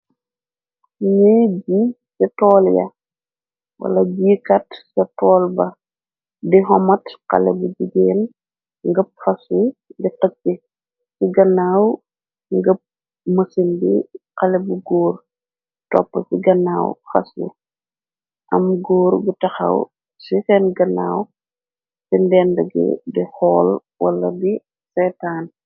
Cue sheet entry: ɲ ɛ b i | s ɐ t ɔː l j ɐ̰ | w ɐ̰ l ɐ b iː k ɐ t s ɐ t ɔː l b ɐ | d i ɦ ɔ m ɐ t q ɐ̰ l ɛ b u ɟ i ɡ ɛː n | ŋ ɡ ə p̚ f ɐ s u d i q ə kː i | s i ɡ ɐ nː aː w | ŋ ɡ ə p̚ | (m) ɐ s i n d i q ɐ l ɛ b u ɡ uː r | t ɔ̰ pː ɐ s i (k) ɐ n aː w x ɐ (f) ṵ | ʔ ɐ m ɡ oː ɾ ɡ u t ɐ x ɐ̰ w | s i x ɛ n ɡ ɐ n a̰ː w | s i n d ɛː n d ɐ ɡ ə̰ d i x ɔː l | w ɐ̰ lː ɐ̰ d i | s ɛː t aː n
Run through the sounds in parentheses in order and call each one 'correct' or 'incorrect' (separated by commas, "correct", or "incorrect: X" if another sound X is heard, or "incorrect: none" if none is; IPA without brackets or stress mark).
correct, incorrect: ɡ, incorrect: s